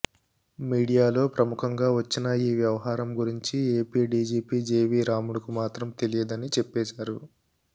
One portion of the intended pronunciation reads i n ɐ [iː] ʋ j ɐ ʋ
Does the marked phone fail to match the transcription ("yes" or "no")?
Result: no